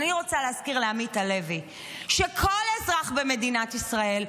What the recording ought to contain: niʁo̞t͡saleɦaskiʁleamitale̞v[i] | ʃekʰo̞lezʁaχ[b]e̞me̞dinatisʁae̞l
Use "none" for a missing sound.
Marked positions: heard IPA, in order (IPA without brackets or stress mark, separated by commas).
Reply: i, b